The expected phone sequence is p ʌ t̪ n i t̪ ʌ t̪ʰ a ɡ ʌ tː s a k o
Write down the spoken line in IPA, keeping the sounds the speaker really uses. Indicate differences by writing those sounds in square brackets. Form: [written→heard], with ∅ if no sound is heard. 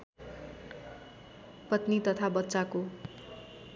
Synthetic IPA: p ʌ t̪ n i t̪ ʌ t̪ʰ a [ɡ→b] ʌ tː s a k o